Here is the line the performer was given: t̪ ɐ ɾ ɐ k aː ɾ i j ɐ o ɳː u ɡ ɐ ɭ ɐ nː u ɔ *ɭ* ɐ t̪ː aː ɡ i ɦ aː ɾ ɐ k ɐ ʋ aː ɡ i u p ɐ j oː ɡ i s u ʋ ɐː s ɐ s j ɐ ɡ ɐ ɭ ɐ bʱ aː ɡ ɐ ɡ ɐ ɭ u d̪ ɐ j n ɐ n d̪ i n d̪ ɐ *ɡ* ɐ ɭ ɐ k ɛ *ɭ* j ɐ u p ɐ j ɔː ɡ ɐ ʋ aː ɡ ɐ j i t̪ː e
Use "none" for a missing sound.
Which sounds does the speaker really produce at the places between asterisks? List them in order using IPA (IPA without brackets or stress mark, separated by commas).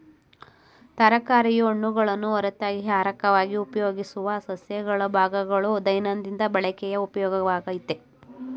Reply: ɾ, b, none